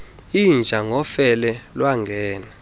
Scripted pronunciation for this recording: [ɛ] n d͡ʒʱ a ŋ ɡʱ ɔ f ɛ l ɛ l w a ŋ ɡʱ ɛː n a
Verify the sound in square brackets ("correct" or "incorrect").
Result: incorrect